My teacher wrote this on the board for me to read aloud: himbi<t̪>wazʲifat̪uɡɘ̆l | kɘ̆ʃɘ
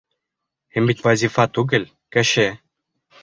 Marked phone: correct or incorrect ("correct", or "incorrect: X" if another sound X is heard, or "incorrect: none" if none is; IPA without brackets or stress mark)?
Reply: correct